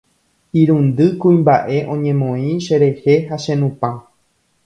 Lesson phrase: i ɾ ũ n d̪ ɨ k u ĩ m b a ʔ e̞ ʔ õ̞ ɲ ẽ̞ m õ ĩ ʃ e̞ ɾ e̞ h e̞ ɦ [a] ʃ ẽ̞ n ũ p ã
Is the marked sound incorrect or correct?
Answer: correct